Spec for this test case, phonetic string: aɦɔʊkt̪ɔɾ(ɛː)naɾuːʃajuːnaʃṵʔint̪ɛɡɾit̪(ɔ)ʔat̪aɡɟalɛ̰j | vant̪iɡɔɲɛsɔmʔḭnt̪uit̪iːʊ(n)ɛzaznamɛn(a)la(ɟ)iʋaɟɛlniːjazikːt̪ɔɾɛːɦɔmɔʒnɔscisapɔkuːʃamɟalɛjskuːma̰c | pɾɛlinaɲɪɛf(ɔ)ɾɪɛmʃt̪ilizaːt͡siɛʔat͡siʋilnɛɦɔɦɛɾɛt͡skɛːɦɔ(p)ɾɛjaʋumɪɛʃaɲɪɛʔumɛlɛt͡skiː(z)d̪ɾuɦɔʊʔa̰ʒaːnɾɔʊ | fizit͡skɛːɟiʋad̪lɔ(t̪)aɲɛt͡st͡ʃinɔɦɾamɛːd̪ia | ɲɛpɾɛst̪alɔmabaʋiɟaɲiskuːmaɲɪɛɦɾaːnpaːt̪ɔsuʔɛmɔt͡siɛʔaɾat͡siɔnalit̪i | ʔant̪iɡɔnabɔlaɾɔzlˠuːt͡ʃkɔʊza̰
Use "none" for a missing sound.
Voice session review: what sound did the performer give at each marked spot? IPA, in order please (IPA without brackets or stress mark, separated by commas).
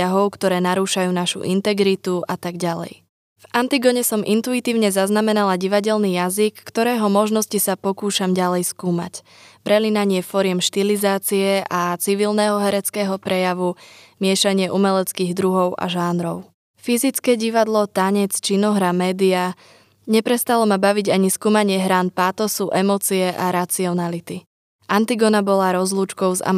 ɛː, u, ɲ, a, ɟ, ɔ, p, ɣ, t̪